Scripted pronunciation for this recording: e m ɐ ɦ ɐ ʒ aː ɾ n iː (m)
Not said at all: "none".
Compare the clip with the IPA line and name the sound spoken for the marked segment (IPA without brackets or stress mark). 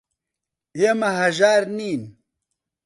n